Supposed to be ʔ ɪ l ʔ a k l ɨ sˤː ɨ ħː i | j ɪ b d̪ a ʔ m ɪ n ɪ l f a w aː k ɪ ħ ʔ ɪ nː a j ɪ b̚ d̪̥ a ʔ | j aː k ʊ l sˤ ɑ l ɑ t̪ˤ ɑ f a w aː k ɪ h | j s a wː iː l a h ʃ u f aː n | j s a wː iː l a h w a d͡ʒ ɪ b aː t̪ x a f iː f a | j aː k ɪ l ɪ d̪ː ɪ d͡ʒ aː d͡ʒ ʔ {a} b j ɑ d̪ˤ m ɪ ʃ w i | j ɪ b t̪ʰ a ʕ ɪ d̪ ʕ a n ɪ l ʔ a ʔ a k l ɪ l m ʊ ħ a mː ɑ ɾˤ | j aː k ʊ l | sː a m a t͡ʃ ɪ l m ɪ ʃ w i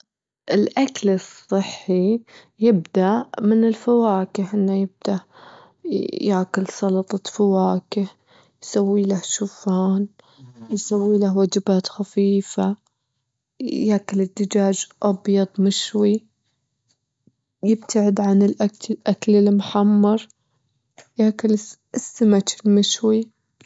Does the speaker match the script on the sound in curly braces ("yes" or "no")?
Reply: no